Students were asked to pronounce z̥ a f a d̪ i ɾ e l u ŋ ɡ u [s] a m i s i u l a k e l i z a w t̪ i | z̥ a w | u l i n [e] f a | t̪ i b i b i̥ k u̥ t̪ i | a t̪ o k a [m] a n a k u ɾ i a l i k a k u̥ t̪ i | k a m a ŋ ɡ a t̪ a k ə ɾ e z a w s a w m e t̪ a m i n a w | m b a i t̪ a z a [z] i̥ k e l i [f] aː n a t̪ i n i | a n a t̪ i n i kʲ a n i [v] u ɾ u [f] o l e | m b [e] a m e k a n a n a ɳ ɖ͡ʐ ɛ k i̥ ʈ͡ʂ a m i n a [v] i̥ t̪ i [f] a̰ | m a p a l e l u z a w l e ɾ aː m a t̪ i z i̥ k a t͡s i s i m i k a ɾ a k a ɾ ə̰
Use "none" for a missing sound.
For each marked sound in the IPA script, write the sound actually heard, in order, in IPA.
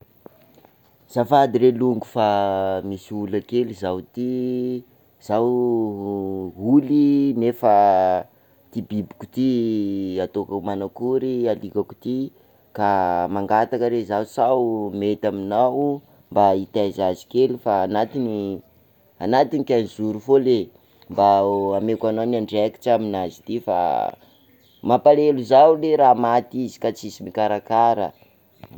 f, e, m, z, f, z, f, a, z, f

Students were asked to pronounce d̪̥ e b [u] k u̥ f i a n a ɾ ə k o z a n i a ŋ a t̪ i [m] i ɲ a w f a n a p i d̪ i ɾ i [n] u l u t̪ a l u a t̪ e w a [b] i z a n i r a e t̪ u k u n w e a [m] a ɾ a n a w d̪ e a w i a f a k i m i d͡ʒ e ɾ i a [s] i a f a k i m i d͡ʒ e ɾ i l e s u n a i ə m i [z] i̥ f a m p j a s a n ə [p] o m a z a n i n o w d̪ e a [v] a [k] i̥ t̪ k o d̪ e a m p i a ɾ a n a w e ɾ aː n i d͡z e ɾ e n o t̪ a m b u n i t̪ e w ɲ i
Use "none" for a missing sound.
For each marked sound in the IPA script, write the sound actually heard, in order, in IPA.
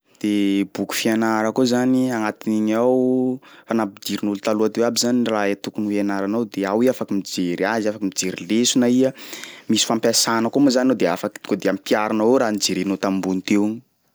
u, n, n, b, n, z, s, k, f, k

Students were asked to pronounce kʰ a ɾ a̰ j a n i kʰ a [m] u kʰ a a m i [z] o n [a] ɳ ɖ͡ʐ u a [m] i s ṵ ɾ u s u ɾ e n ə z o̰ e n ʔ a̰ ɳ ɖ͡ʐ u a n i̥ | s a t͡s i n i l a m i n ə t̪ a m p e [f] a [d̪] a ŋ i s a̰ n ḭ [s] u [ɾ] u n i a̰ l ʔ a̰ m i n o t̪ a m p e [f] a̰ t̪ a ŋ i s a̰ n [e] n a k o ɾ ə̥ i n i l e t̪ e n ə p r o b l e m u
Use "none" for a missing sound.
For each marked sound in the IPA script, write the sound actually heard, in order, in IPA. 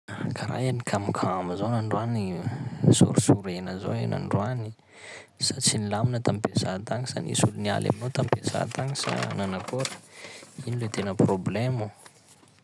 m, z, a, n, s, t̪, s, l, s, a

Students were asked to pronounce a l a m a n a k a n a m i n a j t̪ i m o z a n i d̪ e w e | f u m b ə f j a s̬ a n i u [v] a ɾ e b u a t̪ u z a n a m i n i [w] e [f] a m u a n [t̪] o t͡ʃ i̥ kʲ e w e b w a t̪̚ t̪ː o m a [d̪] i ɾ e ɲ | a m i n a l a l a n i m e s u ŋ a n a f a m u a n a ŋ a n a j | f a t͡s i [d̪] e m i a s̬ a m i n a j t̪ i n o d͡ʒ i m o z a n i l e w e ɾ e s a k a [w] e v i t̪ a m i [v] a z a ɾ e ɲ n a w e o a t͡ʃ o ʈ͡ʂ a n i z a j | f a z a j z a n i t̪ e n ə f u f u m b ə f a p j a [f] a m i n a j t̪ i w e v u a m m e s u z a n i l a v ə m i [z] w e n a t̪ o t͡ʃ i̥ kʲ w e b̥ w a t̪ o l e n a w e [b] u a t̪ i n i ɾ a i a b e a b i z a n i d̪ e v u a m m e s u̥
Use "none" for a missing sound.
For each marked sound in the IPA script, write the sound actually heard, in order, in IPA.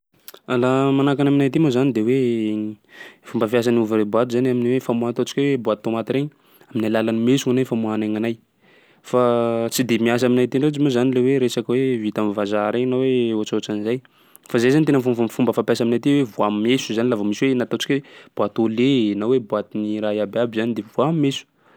v, w, f, t̪, t̪, d̪, w, v, s, s, b

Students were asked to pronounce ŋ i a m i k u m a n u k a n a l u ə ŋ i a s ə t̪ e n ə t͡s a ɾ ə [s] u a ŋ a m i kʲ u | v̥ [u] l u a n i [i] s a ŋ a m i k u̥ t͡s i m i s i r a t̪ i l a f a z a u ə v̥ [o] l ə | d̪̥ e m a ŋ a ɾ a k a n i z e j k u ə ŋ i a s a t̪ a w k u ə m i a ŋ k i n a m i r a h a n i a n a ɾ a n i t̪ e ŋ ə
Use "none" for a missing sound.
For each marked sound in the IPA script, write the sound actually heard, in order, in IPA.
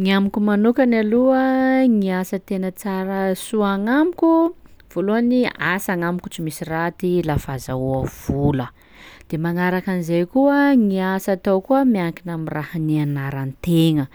s, o, a, u

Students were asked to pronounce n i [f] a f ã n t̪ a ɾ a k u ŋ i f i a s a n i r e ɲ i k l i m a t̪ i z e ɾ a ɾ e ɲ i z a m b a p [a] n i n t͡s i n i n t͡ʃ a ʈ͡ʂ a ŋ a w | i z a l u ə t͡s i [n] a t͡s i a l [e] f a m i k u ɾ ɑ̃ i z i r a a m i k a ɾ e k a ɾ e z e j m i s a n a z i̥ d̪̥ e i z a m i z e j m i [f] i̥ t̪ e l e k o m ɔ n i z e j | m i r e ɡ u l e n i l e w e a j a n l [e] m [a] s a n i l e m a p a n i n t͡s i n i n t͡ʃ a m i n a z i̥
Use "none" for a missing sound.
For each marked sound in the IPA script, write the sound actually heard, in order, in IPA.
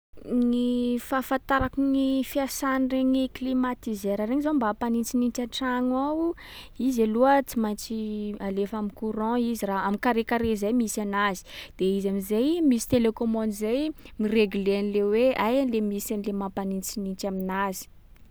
f, a, m, e, s, e, i

